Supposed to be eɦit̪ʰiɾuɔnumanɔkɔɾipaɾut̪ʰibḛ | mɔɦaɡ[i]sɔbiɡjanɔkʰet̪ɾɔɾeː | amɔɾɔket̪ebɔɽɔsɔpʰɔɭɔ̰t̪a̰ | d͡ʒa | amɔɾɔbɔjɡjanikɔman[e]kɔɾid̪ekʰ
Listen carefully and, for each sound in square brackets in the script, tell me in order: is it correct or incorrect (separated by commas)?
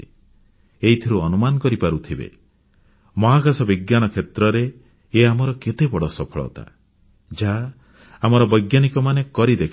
incorrect, correct